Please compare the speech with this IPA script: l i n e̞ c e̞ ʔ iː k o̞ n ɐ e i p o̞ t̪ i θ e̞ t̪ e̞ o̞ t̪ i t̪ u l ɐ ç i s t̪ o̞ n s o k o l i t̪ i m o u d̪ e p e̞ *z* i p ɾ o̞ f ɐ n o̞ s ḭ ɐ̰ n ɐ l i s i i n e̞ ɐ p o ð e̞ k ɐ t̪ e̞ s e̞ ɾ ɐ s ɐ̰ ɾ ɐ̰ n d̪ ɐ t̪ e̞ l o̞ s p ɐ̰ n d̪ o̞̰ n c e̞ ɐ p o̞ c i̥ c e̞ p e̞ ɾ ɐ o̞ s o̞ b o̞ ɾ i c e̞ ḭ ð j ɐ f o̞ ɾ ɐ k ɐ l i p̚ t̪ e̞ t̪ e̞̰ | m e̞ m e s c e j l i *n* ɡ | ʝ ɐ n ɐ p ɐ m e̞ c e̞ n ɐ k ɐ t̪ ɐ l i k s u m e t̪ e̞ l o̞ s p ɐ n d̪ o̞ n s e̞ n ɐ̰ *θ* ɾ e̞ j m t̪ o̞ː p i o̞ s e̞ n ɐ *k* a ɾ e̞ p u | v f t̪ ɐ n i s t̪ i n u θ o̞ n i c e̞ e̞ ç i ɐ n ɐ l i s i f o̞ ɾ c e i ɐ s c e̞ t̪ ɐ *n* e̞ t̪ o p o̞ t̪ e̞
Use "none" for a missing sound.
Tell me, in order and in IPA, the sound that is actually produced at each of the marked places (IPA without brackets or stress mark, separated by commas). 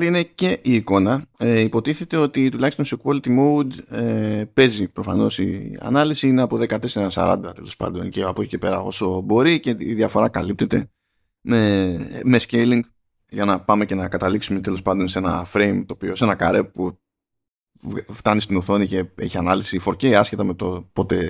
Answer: z, ŋ, f, k, m